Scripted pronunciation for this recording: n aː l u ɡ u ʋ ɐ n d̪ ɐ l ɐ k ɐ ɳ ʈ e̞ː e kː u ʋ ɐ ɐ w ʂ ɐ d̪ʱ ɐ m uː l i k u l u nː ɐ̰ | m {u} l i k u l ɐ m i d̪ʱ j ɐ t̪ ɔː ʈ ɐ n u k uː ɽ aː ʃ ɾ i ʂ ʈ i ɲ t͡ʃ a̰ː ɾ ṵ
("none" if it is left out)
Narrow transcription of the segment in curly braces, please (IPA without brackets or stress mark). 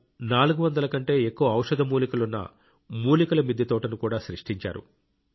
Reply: uː